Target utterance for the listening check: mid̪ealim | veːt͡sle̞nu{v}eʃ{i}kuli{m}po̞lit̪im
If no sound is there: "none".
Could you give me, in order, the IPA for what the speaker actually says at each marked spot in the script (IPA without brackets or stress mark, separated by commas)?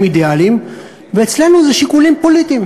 z, i, m